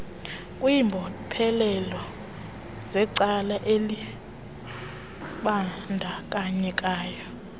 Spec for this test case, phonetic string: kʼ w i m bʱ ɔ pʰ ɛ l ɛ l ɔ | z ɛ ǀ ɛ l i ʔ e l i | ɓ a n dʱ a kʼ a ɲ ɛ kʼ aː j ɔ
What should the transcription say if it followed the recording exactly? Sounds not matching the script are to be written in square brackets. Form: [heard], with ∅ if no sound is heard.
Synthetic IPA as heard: kʼ w i m bʱ ɔ pʰ ɛ l ɛ l ɔ | z ɛ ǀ [a] l [a] ʔ e l i | ɓ a n dʱ a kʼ a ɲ ɛ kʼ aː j ɔ